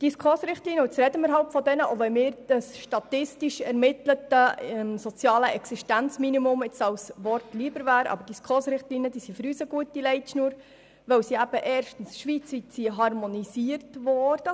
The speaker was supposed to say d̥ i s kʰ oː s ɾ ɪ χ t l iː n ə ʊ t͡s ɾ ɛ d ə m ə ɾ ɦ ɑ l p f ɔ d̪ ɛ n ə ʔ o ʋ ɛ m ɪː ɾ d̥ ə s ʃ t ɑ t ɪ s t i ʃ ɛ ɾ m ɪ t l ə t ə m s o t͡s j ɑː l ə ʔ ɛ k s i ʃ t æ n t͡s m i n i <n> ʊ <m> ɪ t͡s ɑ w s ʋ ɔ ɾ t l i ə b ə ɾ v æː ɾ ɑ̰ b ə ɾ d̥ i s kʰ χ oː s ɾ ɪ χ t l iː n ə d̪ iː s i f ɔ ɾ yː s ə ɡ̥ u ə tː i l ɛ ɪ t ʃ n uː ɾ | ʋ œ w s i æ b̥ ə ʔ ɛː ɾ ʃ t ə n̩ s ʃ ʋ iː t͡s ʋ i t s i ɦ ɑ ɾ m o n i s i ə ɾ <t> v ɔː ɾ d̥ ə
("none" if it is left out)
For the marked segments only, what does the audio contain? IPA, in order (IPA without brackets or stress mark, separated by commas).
m, m, t